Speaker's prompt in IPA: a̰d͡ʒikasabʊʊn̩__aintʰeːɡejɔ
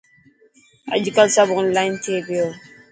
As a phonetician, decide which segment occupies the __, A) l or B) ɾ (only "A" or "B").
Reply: A